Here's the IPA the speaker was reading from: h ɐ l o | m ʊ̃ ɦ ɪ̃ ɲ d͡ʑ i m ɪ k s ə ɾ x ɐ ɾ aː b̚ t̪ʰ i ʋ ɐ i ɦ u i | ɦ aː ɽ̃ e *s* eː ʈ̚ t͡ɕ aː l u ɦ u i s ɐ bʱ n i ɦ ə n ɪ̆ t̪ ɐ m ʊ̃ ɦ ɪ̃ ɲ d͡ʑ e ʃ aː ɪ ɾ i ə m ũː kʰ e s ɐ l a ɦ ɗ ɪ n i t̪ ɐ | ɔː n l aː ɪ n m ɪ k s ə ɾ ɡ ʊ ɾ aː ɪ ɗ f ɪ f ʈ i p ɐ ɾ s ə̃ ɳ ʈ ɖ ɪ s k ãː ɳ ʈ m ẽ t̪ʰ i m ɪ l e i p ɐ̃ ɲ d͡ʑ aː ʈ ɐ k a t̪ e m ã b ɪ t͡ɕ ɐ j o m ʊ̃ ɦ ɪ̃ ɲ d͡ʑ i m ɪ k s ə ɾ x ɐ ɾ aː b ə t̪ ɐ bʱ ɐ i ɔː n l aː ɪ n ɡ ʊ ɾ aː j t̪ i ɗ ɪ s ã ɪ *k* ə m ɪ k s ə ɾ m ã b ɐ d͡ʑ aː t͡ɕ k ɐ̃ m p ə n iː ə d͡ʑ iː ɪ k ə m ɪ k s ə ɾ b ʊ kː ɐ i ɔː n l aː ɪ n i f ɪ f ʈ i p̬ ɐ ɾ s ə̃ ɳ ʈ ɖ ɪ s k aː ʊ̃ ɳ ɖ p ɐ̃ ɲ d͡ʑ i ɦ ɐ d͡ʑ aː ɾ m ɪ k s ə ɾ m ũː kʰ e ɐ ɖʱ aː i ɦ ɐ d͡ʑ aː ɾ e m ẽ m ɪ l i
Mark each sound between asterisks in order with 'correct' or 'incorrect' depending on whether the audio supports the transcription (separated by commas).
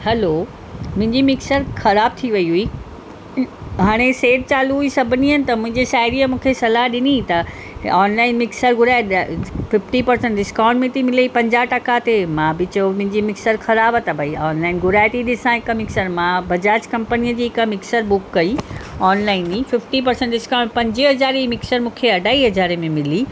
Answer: correct, correct